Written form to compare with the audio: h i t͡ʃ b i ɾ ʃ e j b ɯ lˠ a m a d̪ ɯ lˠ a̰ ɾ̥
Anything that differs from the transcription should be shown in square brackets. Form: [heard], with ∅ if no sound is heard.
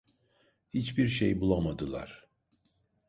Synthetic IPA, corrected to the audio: h i t͡ʃ b i ɾ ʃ e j b [u] lˠ a m a d̪ ɯ lˠ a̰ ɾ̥